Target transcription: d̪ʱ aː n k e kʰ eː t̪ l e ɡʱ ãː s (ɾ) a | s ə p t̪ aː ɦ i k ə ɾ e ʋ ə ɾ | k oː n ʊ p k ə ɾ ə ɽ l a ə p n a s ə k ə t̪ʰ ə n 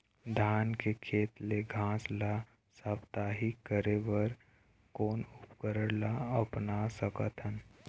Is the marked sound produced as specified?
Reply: no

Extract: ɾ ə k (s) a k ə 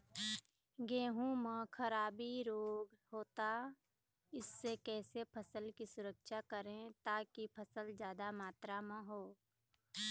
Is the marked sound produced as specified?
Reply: no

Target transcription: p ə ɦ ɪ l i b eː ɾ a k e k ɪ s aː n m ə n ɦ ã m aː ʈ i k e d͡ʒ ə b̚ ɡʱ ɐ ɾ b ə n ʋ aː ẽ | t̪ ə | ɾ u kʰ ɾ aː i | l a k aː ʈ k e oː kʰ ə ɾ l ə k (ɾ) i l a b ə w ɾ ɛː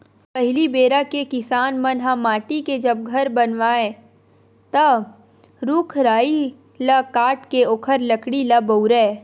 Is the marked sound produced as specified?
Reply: no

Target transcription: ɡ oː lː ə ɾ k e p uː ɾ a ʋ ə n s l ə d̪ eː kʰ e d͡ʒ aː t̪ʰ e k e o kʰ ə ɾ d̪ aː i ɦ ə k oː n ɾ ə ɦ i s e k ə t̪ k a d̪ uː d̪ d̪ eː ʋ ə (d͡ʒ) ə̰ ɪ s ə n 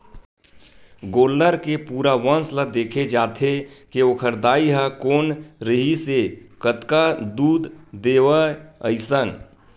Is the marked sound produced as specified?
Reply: no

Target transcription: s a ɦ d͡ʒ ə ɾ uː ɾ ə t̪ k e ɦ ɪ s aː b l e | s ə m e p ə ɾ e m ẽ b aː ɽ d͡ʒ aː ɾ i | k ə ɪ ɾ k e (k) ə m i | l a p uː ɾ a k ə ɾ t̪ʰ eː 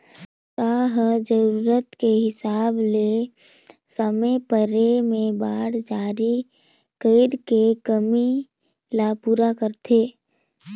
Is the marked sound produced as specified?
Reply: yes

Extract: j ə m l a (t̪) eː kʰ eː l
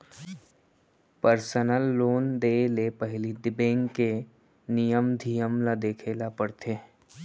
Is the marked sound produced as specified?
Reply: no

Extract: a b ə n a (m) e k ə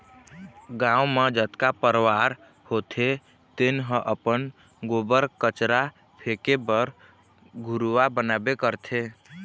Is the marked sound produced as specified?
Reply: no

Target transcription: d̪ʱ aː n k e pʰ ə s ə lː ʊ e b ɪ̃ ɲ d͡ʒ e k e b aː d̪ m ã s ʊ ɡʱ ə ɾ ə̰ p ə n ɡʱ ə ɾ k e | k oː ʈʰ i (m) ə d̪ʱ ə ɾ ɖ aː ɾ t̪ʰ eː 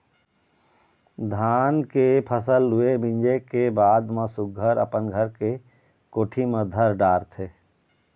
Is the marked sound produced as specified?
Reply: yes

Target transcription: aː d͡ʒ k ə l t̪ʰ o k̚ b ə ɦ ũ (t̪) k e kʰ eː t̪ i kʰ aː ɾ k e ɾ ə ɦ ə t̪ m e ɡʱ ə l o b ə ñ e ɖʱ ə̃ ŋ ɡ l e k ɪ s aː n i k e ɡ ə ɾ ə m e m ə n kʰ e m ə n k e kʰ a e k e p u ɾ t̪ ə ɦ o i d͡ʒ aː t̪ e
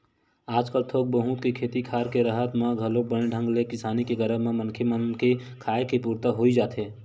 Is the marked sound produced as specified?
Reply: yes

